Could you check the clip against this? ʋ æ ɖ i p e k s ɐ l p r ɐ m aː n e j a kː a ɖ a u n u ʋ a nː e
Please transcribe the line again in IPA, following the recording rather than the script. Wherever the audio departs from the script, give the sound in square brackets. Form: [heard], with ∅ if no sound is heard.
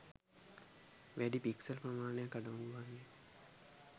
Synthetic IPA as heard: ʋ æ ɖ i p [i] k s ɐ l p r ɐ m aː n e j a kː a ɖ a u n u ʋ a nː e